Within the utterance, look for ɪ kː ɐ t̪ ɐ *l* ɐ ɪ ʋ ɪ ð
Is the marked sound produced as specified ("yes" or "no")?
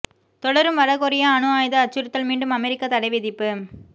no